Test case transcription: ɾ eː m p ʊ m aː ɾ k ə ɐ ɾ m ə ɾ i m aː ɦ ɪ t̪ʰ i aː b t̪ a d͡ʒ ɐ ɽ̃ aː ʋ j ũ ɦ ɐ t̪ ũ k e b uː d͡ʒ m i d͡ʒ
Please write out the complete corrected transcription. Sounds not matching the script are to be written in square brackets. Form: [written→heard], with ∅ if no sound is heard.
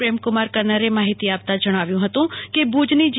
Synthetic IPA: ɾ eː m [p→k] ʊ m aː ɾ k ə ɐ ɾ [m→n] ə ɾ [i→e] m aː ɦ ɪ [t̪ʰ→t̪] i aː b t̪ a d͡ʒ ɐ ɽ̃ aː ʋ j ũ ɦ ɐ t̪ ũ k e b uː d͡ʒ [m→n] i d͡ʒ

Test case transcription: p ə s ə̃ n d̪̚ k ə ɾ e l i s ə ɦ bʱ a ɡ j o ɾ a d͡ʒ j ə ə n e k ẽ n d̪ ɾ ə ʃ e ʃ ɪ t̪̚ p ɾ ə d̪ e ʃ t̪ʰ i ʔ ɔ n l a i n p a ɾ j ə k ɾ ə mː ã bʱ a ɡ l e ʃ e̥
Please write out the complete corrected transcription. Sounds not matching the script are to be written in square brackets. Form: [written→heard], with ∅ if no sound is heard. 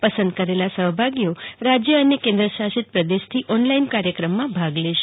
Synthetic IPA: p ə s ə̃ n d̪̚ k ə ɾ e l [i→a] s ə ɦ bʱ a ɡ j o ɾ a d͡ʒ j ə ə n e k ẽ n d̪ ɾ ə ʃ [e→a] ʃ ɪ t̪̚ p ɾ ə d̪ e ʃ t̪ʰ i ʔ ɔ n l a i n [p→k] a ɾ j ə k ɾ ə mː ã bʱ a ɡ l e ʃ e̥

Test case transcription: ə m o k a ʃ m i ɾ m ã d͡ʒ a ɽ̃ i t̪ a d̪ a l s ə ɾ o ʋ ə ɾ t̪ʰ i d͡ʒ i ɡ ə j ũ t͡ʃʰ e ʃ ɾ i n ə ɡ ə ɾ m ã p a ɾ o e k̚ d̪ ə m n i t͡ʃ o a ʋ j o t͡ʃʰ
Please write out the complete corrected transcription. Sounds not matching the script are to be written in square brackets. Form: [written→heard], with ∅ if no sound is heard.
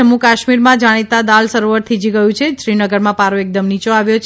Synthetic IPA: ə m [o→u] k a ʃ m i ɾ m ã d͡ʒ a ɽ̃ i t̪ a d̪ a l s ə ɾ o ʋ ə ɾ t̪ʰ i d͡ʒ i ɡ ə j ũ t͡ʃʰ e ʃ ɾ i n ə ɡ ə ɾ m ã p a ɾ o e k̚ d̪ ə m n i t͡ʃ o a ʋ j o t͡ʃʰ

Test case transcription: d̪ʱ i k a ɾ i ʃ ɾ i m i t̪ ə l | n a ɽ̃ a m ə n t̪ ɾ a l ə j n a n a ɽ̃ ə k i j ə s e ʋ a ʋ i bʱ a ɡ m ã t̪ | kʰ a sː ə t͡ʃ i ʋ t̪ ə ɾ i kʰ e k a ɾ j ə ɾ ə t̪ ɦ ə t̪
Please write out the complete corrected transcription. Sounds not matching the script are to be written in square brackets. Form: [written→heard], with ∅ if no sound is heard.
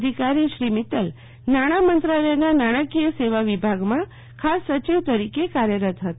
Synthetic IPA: d̪ʱ i k a ɾ i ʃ ɾ i m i t̪ ə l | n a ɽ̃ a m ə n t̪ ɾ a l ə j n a n a ɽ̃ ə k i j ə s e ʋ a ʋ i bʱ a ɡ m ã [t̪→∅] | kʰ a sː ə t͡ʃ i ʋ t̪ ə ɾ i [kʰ→k] e k a ɾ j ə ɾ ə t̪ ɦ ə t̪

